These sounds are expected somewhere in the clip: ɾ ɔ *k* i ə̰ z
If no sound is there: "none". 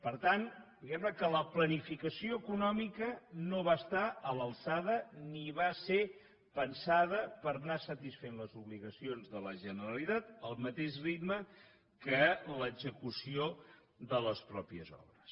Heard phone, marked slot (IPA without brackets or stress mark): p